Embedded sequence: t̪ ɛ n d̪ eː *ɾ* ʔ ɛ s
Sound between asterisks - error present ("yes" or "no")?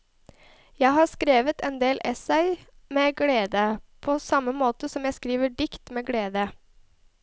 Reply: yes